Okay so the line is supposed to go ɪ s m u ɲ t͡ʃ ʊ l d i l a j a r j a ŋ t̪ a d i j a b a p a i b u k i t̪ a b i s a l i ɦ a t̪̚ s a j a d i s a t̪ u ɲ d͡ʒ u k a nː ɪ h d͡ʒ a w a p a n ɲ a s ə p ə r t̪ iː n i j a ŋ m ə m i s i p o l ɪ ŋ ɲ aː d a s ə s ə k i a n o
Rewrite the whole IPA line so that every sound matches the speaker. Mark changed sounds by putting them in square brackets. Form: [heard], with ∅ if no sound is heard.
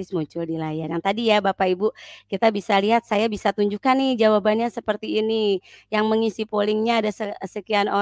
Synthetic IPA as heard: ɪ s m u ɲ t͡ʃ ʊ l d i l a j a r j a ŋ t̪ a d i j a b a p a i b u k i t̪ a b i s a l i ɦ a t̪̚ s a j a [b] i s a t̪ u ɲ d͡ʒ u k a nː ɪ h d͡ʒ a w a [b] a n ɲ a s ə p ə r t̪ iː n i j a ŋ m ə [ŋ] i s i p o l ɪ ŋ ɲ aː d a s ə s ə k i a n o